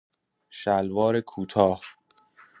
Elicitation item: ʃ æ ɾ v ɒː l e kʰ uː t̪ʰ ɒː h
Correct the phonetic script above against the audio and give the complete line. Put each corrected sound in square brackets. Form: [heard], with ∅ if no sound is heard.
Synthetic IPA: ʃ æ [l] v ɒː [ɾ] e kʰ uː t̪ʰ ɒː h